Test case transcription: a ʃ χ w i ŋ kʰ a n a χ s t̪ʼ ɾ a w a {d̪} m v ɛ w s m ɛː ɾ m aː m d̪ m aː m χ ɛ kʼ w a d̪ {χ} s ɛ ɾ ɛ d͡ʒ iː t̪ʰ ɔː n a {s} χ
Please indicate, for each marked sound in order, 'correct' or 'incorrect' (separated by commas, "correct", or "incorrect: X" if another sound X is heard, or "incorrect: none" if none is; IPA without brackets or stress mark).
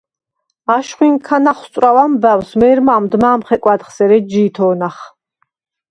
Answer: incorrect: none, correct, incorrect: none